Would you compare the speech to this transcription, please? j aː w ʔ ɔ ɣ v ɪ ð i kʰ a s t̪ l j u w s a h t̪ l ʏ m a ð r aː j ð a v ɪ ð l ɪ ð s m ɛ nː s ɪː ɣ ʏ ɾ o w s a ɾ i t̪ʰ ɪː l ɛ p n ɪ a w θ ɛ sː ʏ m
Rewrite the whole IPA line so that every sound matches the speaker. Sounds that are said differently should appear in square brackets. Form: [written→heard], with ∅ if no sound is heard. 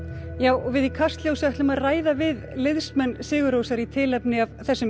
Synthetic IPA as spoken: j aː w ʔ ɔ ɣ v ɪ ð i kʰ a s t̪ l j [u→o] w s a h t̪ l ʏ m a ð r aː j ð a v ɪ ð l ɪ ð s m ɛ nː s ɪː ɣ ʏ ɾ o w s a ɾ i t̪ʰ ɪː l ɛ p n ɪ a [w→v] θ ɛ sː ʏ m